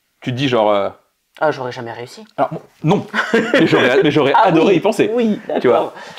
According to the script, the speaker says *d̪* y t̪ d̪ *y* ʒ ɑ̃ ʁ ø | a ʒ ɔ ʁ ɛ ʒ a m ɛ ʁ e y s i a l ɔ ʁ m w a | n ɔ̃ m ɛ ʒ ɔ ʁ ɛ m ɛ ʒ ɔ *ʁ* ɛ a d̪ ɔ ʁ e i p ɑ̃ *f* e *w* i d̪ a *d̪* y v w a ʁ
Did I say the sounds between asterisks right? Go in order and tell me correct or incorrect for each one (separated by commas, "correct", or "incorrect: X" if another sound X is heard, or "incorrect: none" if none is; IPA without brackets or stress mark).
incorrect: t̪, incorrect: i, correct, incorrect: s, correct, incorrect: t̪